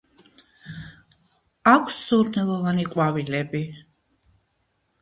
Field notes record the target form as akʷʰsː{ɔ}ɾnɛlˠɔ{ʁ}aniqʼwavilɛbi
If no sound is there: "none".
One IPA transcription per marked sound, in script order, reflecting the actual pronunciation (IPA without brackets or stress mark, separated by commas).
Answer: u, v